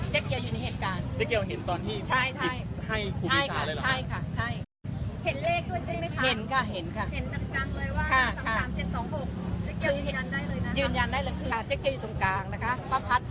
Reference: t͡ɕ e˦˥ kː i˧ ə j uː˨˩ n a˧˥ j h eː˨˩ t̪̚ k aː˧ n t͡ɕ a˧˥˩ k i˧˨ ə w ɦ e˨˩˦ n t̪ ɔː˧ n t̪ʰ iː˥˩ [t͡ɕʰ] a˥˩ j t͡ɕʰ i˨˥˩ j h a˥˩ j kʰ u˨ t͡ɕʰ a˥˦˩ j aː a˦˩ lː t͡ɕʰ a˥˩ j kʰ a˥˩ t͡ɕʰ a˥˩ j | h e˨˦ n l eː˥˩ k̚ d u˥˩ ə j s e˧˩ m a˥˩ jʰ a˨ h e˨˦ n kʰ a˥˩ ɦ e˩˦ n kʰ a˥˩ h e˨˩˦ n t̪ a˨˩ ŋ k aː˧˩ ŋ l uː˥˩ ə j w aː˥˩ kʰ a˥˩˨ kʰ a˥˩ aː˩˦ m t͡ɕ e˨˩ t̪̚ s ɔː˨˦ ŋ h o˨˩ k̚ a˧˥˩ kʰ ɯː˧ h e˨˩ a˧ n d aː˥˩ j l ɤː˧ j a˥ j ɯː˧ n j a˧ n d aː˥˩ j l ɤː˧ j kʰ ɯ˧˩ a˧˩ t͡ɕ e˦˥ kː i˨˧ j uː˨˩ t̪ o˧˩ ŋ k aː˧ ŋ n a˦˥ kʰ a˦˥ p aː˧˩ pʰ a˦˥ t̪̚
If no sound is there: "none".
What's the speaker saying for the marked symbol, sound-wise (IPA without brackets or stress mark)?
t͡ɕʰ